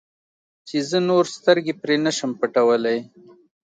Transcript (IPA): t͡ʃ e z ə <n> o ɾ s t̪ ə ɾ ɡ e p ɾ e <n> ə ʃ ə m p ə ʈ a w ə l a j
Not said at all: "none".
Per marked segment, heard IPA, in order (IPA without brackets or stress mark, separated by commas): n, n